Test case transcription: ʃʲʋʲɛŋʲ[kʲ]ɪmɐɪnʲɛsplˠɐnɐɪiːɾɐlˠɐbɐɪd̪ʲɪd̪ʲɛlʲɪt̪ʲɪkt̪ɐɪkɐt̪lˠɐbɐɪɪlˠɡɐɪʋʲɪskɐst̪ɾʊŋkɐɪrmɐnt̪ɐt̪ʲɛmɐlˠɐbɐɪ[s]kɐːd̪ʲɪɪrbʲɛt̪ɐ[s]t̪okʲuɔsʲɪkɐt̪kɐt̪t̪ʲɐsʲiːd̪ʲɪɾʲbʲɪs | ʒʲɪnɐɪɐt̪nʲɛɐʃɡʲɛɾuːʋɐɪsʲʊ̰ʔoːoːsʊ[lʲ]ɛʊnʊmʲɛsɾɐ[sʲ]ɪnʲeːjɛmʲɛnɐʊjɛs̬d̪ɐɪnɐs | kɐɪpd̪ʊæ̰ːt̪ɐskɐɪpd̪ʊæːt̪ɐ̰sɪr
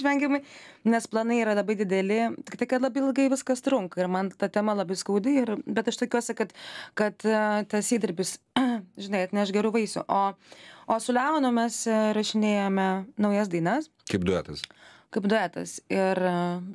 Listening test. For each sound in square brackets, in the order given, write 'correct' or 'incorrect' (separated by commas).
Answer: incorrect, correct, incorrect, correct, incorrect